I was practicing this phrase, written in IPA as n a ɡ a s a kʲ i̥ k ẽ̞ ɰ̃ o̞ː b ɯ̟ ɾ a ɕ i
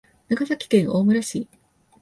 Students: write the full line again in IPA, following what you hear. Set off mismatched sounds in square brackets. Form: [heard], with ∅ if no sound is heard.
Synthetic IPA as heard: n a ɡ a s a kʲ i̥ k ẽ̞ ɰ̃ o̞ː [m] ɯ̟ ɾ a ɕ i

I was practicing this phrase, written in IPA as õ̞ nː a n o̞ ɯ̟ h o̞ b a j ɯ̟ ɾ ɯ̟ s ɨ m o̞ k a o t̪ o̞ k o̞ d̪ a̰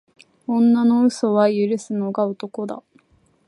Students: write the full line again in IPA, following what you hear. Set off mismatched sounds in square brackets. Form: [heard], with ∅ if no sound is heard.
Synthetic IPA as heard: õ̞ nː a n o̞ ɯ̟ [s] o̞ [β] a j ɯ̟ ɾ ɯ̟ s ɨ [n] o̞ [ɡ] a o t̪ o̞ k o̞ d̪ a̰

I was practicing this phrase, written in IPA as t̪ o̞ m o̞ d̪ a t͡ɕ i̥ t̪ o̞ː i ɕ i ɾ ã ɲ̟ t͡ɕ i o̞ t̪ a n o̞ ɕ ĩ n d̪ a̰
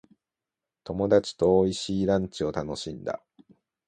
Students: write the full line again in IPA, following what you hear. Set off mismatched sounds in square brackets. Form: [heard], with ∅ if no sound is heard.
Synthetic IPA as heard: t̪ o̞ m o̞ d̪ a t͡ɕ i̥ t̪ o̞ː i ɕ [iː] ɾ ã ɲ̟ t͡ɕ i o̞ t̪ a n o̞ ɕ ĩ n d̪ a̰

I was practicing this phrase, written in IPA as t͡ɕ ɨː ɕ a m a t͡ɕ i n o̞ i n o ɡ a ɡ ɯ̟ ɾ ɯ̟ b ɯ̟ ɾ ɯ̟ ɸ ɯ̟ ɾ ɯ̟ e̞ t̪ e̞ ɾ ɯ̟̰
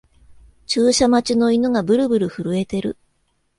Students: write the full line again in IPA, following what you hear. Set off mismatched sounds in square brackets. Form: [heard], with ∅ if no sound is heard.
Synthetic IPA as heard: t͡ɕ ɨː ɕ a m a t͡ɕ i n o̞ i n o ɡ a [b] ɯ̟ ɾ ɯ̟ b ɯ̟ ɾ ɯ̟ ɸ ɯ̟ ɾ ɯ̟ e̞ t̪ e̞ ɾ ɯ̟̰

